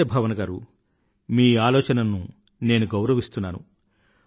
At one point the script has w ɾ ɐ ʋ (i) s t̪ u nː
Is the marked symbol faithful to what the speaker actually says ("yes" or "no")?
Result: yes